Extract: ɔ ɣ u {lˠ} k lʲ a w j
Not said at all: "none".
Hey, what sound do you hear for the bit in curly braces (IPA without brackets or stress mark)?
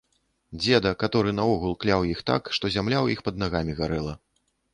lˠ